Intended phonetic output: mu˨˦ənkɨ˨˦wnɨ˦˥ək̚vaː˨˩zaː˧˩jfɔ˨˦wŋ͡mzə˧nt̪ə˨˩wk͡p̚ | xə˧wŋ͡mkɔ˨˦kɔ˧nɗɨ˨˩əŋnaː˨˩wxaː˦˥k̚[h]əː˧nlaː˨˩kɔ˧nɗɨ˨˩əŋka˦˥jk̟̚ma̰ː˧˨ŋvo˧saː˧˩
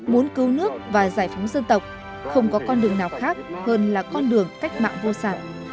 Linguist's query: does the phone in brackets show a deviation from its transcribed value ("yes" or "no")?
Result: no